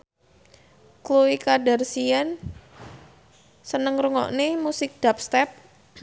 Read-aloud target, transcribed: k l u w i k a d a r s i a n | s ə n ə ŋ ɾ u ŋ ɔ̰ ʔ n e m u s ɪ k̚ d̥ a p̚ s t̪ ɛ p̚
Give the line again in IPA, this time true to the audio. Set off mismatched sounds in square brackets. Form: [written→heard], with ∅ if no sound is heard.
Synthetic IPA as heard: k l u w i k a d a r s i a n | s ə n ə ŋ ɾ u ŋ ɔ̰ ʔ n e m u s ɪ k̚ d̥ a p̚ s t̪ ɛ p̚